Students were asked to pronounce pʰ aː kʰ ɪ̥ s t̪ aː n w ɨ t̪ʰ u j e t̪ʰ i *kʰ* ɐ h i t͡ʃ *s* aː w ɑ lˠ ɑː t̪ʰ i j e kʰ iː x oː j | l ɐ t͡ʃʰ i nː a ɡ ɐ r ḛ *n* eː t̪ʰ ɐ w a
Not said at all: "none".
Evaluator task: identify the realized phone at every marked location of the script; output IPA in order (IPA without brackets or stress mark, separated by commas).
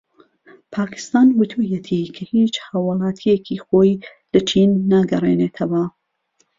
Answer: kʰ, h, n